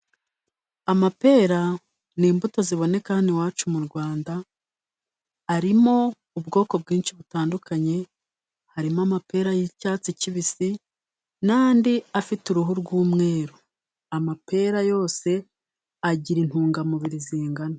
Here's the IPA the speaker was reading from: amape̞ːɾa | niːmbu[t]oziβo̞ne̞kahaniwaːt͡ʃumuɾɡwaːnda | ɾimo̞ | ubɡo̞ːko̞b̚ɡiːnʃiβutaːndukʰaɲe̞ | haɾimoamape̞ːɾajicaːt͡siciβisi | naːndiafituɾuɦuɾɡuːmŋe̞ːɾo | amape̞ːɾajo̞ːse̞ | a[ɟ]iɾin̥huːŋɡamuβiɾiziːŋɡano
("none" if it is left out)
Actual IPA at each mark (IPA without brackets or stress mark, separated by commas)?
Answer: t, ɟ